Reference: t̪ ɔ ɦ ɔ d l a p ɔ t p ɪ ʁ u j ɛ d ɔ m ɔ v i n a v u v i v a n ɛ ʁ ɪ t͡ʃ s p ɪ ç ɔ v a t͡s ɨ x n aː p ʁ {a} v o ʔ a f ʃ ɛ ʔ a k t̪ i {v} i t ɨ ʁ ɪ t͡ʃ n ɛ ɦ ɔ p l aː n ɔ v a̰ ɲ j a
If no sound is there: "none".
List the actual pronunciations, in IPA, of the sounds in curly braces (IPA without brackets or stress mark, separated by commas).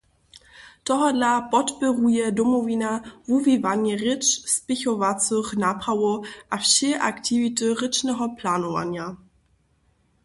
a, v